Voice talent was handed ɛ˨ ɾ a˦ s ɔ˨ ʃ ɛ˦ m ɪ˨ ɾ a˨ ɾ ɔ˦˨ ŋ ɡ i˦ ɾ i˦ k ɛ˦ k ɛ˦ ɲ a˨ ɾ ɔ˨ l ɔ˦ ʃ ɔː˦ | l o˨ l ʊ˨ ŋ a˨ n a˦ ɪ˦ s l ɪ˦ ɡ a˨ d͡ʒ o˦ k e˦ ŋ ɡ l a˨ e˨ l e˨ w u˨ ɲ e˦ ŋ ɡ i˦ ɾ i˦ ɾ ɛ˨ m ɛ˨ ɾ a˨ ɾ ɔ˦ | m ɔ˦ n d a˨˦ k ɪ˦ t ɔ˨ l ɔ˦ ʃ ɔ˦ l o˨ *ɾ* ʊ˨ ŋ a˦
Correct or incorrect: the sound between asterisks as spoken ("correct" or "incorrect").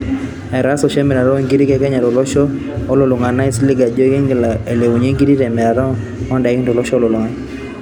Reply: incorrect